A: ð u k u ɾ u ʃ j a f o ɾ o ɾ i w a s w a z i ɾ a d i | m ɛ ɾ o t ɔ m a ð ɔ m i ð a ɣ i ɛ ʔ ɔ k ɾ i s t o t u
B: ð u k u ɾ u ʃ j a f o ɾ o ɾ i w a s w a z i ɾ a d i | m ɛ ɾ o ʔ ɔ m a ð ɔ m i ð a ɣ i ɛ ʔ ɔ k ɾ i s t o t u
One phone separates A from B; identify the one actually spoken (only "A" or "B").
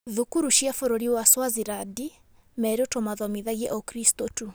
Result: A